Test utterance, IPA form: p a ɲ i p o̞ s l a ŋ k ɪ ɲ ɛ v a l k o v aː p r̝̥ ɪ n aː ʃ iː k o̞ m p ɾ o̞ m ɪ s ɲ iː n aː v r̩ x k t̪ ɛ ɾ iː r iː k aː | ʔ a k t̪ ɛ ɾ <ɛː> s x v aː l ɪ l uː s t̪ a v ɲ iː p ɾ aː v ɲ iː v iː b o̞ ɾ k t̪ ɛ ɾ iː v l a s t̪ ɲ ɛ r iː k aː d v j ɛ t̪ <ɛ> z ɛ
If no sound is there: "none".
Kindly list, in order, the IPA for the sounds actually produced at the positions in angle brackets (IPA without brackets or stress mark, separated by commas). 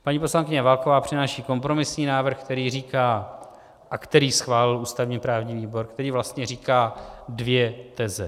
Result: iː, ɛ